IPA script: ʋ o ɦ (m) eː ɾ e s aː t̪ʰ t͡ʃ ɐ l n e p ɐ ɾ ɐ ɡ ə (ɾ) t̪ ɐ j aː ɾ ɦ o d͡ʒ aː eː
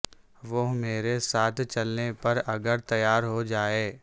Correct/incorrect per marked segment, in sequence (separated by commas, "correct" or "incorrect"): correct, correct